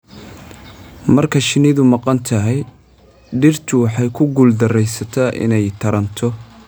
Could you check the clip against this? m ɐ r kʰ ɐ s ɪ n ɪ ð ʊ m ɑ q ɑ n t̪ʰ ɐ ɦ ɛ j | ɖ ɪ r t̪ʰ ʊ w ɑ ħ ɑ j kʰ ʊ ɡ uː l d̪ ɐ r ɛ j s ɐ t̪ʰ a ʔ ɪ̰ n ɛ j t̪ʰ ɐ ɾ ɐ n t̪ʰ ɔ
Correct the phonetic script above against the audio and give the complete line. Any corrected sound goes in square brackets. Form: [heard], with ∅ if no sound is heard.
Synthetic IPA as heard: m ɐ r kʰ ɐ [ʃ] ɪ n ɪ ð ʊ m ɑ q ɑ n t̪ʰ ɐ ɦ ɛ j | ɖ ɪ r t̪ʰ ʊ w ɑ ħ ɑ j kʰ ʊ ɡ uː l d̪ ɐ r ɛ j s ɐ t̪ʰ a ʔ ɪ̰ n ɛ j t̪ʰ ɐ ɾ ɐ n t̪ʰ ɔ